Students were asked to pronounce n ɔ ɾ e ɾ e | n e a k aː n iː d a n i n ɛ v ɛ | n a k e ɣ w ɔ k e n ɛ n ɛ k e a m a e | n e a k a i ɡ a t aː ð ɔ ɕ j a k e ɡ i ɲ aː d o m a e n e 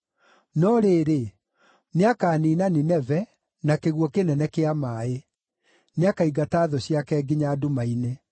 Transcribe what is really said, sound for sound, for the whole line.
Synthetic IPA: n ɔ ɾ e ɾ e | n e a k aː n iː n a n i n ɛ v ɛ | n a k e ɣ w ɔ k e n ɛ n ɛ k e a m a e | n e a k a i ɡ a t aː ð ɔ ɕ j a k ɛ ɡ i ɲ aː d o m a i n e